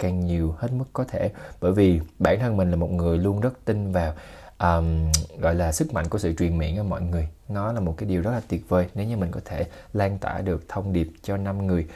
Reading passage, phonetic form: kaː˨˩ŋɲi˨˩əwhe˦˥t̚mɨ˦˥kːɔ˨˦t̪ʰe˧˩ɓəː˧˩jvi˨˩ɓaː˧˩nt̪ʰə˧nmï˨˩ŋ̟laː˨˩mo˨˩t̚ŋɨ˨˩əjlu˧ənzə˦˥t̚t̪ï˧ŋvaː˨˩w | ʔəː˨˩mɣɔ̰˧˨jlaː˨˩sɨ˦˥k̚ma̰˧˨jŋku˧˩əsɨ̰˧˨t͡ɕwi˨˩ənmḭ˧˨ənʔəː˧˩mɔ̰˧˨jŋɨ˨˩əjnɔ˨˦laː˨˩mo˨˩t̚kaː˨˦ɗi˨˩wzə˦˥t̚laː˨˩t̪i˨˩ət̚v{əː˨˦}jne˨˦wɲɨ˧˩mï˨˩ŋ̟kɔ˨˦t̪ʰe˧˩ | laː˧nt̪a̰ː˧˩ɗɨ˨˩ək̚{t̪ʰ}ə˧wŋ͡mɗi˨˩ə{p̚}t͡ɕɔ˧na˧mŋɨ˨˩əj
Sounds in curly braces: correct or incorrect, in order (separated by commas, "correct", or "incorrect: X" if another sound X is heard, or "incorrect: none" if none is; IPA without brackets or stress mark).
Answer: incorrect: əː˨˩, correct, correct